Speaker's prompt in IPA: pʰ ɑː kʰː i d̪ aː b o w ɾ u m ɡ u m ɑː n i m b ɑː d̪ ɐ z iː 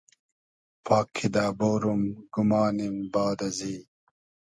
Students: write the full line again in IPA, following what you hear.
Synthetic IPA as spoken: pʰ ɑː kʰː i d̪ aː b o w ɾ u m ɡ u m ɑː n i m b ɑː d̪ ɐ z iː